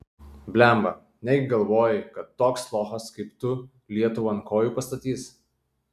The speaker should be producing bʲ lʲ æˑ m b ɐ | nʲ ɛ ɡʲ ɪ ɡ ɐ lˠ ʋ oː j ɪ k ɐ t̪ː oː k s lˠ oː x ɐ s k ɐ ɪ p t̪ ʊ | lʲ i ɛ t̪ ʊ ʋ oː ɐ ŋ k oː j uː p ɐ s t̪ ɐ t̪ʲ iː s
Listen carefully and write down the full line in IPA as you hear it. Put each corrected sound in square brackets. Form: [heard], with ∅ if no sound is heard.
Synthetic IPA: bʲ lʲ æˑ m b ɐ | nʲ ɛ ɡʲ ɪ ɡ ɐ lˠ ʋ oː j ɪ k ɐ t̪ː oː k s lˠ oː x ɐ s k ɐ ɪ p t̪ ʊ | lʲ i ɛ t̪ ʊ ʋ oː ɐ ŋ k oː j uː p ɐ s t̪ ɐ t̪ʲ iː s

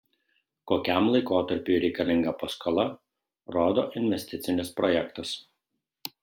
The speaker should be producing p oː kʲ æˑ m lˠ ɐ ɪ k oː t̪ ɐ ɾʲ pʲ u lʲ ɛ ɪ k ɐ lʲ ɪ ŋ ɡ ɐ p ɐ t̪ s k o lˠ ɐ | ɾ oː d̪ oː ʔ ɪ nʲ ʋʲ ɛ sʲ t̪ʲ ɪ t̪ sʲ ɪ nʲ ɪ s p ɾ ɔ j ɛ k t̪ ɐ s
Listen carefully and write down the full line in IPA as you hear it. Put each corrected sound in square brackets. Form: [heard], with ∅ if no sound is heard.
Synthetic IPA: [k] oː kʲ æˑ m lˠ ɐ ɪ k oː t̪ ɐ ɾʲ pʲ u [ɾʲ] ɛ ɪ k ɐ lʲ ɪ ŋ ɡ ɐ p ɐ [∅] s k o lˠ ɐ | ɾ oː d̪ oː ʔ ɪ nʲ ʋʲ ɛ sʲ t̪ʲ ɪ t̪ sʲ ɪ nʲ ɪ s p ɾ ɔ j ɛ k t̪ ɐ s

